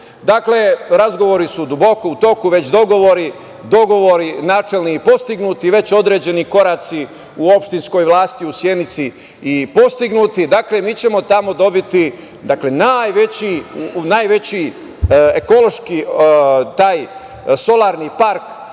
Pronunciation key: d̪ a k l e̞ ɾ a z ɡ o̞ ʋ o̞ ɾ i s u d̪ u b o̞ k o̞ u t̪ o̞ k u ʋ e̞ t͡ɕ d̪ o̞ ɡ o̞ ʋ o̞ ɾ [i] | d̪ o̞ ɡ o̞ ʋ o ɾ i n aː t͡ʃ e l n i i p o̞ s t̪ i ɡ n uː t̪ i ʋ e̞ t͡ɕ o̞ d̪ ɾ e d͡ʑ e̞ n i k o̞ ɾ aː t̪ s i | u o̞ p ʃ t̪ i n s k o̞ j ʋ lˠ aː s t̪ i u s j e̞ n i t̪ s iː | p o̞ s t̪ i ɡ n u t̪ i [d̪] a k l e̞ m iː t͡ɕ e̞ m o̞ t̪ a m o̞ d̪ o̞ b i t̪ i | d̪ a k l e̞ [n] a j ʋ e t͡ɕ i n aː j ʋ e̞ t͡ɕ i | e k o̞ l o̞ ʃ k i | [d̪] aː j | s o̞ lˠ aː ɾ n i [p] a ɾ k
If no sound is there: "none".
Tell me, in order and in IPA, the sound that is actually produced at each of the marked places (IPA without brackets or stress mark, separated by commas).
i, d̪, n, t̪, p